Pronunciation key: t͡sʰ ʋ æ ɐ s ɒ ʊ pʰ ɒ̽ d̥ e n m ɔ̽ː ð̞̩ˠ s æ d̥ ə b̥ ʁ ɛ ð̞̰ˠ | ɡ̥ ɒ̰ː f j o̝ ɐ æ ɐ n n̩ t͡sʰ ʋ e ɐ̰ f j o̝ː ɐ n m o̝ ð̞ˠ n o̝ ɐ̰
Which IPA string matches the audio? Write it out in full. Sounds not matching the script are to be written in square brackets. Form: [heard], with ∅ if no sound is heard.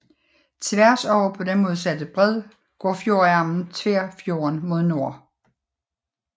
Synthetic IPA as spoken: t͡sʰ ʋ æ ɐ s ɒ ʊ pʰ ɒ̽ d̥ e n m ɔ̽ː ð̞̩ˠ s æ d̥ ə b̥ ʁ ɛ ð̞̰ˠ | ɡ̥ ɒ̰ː f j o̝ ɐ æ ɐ [m] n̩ t͡sʰ ʋ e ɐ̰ f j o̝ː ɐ n m o̝ ð̞ˠ n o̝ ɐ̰